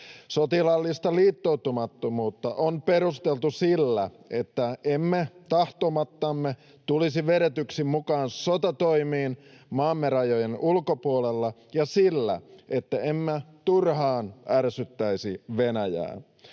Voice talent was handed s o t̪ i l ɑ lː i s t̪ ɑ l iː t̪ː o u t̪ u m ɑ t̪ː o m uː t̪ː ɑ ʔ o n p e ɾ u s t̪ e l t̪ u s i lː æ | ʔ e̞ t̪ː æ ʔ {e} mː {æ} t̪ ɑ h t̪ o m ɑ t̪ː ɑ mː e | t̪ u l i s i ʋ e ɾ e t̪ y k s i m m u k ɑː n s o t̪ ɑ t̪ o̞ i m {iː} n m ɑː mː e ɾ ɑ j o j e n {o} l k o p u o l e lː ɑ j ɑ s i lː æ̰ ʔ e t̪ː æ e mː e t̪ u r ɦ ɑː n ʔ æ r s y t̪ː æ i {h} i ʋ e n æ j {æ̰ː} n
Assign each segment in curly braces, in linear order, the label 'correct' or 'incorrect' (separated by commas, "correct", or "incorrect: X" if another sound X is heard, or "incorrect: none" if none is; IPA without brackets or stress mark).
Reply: correct, incorrect: e, correct, incorrect: u, incorrect: s, correct